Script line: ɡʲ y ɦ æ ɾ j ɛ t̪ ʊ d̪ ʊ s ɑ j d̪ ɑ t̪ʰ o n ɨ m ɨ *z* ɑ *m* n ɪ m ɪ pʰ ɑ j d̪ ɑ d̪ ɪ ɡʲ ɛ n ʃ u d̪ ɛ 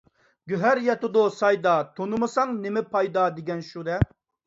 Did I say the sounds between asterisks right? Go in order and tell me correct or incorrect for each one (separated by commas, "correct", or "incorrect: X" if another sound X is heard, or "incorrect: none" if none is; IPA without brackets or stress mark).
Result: incorrect: s, incorrect: ŋ